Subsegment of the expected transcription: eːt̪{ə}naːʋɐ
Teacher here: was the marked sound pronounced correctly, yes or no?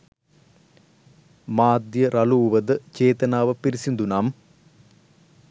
no